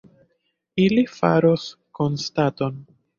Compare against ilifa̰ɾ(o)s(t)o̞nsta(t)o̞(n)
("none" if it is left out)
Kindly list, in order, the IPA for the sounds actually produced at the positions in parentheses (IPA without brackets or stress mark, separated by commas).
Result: o, k, t, n